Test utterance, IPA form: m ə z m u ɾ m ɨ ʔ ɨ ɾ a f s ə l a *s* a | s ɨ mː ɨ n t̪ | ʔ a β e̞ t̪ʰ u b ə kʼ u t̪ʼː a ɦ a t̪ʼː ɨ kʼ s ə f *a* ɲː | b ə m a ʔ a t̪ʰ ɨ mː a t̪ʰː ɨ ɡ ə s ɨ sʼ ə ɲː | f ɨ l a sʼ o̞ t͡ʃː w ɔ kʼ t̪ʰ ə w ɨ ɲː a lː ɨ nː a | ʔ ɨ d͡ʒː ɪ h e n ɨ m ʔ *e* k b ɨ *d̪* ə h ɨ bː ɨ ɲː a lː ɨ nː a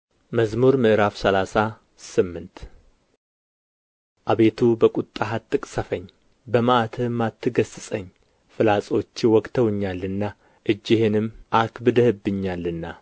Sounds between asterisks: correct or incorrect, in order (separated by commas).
correct, incorrect, incorrect, correct